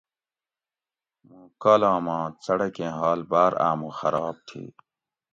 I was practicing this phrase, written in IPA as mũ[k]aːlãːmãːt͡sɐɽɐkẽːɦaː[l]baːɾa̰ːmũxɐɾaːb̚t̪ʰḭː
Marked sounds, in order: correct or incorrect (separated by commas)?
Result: correct, correct